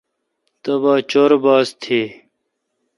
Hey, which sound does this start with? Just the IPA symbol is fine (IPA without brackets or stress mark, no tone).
t̪